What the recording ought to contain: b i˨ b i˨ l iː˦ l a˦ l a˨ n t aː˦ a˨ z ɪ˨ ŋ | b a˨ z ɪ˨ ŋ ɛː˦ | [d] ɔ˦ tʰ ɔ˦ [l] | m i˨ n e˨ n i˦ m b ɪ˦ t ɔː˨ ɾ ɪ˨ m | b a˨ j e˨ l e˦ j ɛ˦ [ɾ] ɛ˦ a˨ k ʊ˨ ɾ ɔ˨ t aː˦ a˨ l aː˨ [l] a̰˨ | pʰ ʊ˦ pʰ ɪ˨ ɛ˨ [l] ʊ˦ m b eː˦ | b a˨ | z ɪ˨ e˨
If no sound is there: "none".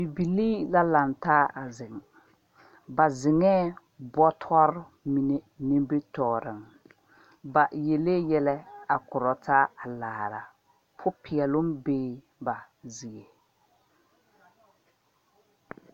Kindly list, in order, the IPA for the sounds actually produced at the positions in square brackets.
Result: b, ɾ, l, ɾ, l

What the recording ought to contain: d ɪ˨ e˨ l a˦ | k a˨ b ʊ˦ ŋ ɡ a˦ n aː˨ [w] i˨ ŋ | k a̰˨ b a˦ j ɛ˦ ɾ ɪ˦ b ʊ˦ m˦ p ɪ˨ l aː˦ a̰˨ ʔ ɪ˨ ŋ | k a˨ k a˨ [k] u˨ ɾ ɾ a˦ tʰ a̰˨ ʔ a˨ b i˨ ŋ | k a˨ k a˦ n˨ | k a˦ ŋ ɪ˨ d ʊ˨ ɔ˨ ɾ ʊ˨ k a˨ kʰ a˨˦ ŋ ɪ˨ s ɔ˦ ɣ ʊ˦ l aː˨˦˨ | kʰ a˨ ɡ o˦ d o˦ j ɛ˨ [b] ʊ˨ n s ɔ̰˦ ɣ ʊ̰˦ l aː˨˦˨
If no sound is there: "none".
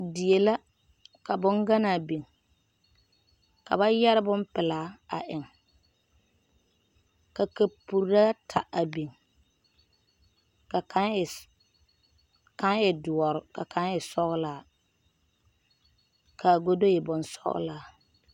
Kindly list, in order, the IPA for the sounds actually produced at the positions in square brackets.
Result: b, p, b

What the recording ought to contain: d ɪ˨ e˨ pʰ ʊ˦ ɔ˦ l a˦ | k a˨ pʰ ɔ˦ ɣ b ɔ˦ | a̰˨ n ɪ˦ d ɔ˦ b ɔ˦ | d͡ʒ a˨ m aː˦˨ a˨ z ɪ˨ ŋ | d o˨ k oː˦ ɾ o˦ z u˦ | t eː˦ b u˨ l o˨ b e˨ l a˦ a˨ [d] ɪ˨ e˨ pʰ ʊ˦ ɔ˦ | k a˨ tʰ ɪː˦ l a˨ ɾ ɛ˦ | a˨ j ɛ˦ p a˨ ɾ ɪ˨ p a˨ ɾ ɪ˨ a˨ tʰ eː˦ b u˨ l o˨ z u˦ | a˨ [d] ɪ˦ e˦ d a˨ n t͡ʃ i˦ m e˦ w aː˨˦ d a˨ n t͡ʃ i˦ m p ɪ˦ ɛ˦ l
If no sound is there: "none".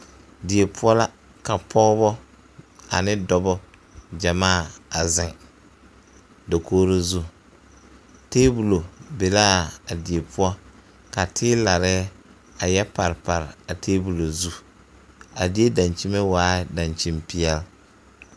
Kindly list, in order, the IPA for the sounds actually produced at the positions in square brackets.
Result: d, d

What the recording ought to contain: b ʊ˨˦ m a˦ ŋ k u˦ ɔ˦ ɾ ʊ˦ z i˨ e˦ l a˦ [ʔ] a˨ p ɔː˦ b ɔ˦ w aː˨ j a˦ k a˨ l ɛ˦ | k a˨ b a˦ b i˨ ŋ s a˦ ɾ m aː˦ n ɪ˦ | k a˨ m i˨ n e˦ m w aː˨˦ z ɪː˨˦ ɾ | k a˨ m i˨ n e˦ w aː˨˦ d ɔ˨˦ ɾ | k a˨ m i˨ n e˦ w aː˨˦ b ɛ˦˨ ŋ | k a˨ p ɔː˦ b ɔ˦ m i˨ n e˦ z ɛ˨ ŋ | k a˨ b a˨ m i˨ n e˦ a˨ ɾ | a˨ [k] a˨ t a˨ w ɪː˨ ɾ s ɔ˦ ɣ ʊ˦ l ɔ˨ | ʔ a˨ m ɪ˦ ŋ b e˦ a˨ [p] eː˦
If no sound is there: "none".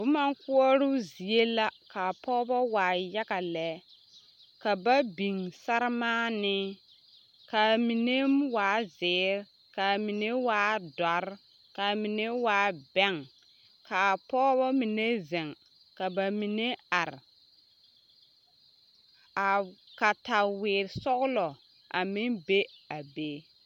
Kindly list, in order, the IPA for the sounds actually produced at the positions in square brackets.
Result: k, k, b

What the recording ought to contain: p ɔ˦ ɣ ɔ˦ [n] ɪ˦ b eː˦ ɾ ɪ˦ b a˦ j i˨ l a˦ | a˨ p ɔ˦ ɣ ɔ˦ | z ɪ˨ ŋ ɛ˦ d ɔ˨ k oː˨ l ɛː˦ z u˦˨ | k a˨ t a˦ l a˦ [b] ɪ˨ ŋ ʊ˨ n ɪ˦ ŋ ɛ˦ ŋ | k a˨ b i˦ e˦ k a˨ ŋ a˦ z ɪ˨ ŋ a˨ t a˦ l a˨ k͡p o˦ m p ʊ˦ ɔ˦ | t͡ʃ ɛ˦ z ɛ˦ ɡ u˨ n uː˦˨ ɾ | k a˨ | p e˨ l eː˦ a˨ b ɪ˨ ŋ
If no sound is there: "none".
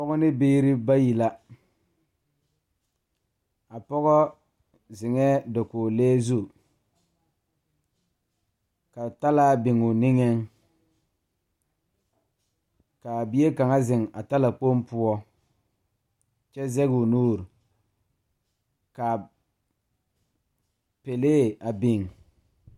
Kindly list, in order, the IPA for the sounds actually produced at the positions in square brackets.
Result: n, b

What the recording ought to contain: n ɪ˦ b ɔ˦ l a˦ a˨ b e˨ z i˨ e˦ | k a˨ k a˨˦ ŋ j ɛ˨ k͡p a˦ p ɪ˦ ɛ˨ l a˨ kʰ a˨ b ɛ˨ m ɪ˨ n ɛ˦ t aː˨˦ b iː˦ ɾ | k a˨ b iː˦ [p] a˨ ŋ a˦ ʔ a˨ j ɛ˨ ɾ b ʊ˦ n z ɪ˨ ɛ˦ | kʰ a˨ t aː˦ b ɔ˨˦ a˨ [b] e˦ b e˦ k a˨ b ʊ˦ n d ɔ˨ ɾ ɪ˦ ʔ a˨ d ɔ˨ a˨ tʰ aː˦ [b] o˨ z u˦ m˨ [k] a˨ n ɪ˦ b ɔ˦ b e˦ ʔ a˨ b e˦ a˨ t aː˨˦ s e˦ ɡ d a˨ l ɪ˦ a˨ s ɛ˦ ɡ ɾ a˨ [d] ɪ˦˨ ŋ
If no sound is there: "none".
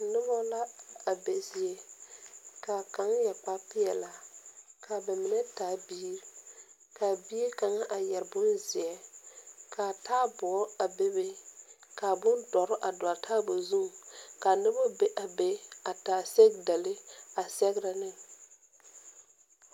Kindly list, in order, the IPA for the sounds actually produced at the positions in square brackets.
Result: k, b, b, k, n

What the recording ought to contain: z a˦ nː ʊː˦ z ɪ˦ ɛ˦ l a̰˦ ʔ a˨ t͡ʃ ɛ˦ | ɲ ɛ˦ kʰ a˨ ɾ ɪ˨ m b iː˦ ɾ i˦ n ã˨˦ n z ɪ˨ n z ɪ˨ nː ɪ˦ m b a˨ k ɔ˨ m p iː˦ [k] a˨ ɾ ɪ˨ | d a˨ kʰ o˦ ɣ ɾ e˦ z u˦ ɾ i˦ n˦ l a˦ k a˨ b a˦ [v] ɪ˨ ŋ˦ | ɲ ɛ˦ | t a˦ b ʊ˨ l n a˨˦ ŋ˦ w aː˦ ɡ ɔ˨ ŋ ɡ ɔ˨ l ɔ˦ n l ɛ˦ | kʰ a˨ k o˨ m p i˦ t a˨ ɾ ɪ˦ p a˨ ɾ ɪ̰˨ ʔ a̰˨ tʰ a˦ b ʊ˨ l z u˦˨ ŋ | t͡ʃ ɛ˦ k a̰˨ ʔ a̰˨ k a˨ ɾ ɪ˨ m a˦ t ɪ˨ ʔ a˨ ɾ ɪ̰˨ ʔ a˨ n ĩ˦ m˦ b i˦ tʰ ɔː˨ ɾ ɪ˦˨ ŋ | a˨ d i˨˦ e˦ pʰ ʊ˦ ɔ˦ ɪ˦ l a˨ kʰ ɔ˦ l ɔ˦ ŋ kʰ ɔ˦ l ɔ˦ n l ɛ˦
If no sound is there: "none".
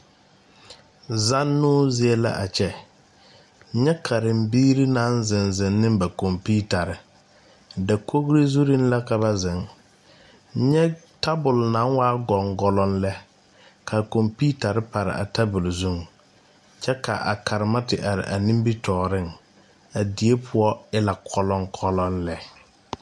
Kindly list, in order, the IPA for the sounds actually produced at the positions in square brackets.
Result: t, z

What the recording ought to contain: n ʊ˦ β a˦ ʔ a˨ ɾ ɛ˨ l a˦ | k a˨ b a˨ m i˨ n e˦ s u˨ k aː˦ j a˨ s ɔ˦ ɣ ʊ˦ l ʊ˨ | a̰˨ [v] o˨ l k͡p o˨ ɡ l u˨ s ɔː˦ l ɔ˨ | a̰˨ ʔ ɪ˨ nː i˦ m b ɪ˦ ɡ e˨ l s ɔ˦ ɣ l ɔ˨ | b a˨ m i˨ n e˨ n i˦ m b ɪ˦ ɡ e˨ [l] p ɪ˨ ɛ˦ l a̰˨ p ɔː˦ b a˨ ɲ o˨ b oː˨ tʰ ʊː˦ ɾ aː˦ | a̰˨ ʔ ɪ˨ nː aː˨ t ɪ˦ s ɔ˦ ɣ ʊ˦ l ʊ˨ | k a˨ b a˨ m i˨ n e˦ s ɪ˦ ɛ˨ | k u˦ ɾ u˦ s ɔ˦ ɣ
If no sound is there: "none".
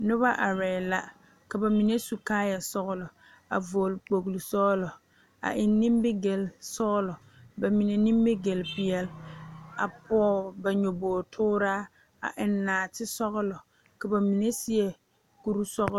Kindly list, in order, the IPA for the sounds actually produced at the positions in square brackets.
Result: v, l

